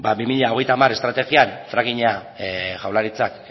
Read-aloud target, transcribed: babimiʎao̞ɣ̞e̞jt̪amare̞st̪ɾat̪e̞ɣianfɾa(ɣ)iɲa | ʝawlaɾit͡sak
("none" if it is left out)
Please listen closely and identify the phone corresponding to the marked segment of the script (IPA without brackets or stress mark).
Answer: ɣ